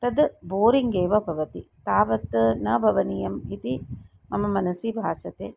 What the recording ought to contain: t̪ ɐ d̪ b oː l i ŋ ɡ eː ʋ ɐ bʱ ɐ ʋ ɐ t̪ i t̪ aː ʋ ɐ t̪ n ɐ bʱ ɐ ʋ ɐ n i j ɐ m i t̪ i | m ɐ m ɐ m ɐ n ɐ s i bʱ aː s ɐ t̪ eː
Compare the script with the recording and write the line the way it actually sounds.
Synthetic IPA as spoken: t̪ ɐ d̪ b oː ɾ i ŋ ɡ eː ʋ ɐ bʱ ɐ ʋ ɐ t̪ i t̪ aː ʋ ɐ t̪ n ɐ bʱ ɐ ʋ ɐ n i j ɐ m i t̪ i | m ɐ m ɐ m ɐ n ɐ s i bʱ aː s ɐ t̪ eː